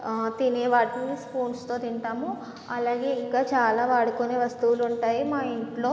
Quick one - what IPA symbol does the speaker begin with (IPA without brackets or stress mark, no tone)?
t̪